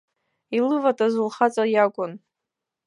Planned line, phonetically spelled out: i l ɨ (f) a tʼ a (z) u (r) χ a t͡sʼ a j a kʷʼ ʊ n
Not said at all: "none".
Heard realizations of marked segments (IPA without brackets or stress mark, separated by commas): v, z, l